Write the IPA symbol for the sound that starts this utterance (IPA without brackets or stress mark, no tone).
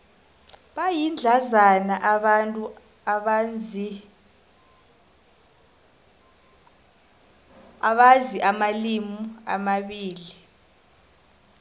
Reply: ɓ